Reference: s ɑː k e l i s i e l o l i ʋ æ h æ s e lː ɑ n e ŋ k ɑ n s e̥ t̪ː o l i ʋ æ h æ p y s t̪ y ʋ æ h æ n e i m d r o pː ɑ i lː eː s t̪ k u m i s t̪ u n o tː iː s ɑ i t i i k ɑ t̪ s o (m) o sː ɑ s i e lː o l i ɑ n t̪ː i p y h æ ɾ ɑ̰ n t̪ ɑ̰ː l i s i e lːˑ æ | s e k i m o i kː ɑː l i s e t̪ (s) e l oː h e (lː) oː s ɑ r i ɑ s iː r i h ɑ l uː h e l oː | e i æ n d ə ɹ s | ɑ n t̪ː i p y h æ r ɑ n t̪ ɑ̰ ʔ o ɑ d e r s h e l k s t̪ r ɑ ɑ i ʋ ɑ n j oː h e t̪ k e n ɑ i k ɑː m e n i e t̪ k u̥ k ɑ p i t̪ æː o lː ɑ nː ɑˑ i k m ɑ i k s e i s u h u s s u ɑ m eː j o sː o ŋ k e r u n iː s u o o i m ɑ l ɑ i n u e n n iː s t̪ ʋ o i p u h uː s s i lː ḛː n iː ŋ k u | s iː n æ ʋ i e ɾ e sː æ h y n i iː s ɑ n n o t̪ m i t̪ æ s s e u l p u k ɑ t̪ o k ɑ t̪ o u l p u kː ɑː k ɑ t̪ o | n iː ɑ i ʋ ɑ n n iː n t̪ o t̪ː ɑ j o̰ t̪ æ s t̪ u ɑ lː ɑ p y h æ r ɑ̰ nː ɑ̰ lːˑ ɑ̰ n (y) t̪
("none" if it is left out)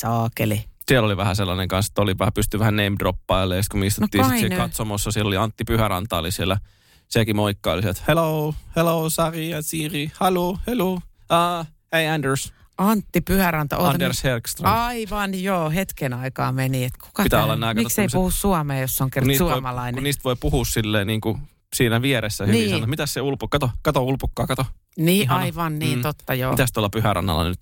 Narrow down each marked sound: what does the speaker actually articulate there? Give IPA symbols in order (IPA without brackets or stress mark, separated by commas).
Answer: m, h, l, y